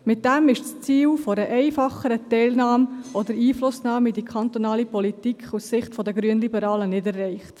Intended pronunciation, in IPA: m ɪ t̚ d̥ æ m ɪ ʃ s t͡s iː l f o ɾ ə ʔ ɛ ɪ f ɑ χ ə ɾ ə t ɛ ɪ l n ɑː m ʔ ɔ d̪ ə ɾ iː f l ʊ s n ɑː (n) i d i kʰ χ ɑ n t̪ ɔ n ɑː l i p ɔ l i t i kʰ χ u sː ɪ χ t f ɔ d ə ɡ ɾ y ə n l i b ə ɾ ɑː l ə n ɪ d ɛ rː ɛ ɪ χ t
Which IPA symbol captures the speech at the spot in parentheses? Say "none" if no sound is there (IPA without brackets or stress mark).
m